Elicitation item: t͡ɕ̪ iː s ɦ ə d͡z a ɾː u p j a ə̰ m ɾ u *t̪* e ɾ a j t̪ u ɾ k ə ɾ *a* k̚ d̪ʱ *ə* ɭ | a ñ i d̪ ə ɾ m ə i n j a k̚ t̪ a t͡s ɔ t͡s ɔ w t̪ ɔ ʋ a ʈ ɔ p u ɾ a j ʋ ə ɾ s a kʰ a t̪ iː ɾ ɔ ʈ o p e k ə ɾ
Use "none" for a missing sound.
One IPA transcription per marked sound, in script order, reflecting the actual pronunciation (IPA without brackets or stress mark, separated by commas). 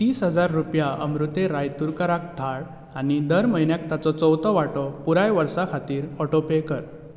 t̪, a, a